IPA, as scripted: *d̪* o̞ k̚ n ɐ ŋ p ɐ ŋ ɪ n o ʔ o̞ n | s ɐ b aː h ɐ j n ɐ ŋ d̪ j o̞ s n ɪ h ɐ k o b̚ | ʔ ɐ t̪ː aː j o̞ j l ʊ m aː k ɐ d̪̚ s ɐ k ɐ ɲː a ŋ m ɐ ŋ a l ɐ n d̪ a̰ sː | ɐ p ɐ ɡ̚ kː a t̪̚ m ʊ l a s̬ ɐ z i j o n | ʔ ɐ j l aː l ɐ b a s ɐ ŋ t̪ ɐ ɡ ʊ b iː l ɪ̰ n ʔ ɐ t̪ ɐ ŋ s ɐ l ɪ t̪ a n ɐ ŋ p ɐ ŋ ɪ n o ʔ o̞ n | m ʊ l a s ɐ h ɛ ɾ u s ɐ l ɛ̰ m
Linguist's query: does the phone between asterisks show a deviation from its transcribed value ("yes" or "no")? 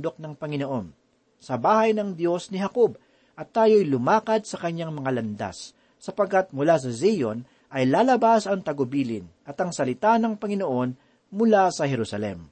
no